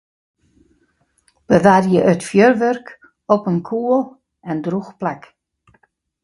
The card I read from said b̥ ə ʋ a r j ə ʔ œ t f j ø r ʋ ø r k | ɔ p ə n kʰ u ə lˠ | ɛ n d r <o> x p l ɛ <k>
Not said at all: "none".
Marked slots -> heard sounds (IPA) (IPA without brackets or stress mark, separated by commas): u, k